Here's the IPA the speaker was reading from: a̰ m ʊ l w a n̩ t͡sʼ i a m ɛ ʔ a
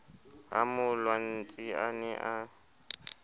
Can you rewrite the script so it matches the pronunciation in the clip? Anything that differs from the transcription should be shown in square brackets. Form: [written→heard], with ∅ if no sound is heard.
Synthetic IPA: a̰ m ʊ l w a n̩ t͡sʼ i a [m→n] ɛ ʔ a